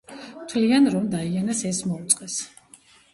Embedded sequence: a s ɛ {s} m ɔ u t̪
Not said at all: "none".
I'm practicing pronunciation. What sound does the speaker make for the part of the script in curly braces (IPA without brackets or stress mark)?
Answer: s